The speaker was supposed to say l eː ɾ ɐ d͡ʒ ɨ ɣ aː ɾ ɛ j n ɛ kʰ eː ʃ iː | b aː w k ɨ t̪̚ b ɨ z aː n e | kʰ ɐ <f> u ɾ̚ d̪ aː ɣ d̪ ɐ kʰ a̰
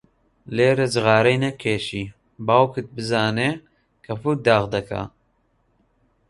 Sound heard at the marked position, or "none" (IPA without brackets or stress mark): f